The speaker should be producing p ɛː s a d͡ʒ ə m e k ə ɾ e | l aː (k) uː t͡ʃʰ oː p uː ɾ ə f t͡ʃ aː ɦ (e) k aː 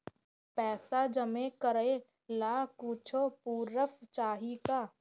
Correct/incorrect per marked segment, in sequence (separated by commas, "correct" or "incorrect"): correct, incorrect